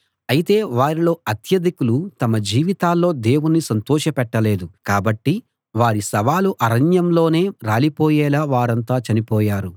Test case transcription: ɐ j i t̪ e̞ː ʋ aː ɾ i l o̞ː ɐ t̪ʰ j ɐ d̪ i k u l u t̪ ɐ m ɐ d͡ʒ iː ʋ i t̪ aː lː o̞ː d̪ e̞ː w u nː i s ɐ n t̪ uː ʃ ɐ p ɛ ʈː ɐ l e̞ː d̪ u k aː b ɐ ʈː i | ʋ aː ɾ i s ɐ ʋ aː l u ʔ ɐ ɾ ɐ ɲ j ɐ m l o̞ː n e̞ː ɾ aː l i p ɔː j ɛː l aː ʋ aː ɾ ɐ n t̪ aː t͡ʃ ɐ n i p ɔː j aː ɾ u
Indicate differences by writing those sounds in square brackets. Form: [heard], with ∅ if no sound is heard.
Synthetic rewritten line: ɐ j i t̪ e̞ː ʋ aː ɾ i l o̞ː ɐ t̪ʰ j ɐ d̪ i k u l u t̪ ɐ m ɐ d͡ʒ iː ʋ i t̪ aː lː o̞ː d̪ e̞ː w u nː i s ɐ n t̪ [ɔː] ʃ ɐ p ɛ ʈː ɐ l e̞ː d̪ u k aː b ɐ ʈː i | ʋ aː ɾ i s ɐ ʋ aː l u ʔ ɐ ɾ ɐ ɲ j ɐ m l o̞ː n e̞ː ɾ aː l i p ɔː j ɛː l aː ʋ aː ɾ ɐ n t̪ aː t͡ʃ ɐ n i p ɔː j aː ɾ u